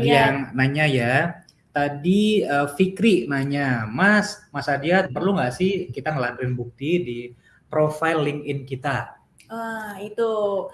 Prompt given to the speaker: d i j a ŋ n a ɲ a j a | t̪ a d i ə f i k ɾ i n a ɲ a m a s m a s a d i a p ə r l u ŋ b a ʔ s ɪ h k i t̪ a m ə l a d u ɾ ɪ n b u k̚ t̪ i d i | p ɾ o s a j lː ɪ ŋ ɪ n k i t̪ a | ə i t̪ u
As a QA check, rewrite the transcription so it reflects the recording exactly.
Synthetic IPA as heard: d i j a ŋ n a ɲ a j a | t̪ a d i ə f i k ɾ i n a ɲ a m a s m a s a d i a p ə r l u ŋ ɡ a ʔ s ɪ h k i t̪ a ŋ ə l a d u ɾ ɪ n b u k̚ t̪ i d i | p ɾ o f a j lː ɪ ŋ ɪ n k i t̪ a | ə i t̪ u